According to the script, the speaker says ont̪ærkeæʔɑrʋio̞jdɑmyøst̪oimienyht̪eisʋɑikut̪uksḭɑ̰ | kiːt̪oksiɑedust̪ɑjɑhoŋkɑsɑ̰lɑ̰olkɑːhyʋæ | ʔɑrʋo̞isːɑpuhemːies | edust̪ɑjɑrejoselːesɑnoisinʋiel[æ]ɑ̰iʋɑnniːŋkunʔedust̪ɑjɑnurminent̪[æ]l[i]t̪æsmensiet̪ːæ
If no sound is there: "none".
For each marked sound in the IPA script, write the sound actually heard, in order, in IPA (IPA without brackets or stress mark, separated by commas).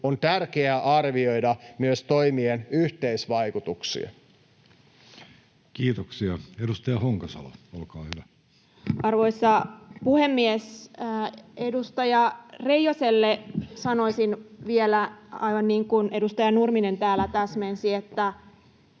æ, æː, æ